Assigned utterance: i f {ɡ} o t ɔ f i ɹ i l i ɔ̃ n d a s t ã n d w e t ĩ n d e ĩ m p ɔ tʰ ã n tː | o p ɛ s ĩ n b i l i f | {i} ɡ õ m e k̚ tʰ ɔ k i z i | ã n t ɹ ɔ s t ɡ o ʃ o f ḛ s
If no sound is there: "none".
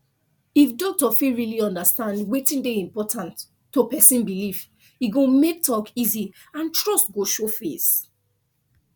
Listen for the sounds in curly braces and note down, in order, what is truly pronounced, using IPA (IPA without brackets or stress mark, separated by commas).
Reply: d, i